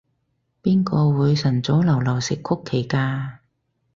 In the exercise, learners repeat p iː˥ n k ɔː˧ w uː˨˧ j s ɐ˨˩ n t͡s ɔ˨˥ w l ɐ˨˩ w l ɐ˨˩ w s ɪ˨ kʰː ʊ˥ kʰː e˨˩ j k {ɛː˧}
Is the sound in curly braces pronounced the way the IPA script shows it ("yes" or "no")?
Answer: no